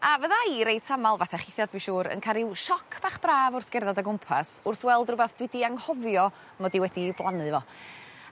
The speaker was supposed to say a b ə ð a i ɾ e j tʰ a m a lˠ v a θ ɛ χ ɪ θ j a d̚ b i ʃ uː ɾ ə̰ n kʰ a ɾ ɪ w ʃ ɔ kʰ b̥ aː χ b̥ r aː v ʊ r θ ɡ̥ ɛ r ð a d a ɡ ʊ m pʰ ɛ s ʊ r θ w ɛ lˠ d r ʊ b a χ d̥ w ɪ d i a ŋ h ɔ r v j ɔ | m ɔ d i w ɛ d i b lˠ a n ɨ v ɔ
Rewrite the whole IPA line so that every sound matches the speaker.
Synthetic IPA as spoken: a v ə ð a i ɾ e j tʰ a m a lˠ v a θ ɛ χ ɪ θ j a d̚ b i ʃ uː ɾ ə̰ n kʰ a ɾ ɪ w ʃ ɔ kʰ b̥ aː χ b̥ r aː v ʊ r θ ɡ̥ ɛ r ð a d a ɡ ʊ m pʰ a s ʊ r θ w ɛ lˠ d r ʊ b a θ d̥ w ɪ d i a ŋ h ɔ v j ɔ | m ɔ d i w ɛ d i b lˠ a n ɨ v ɔ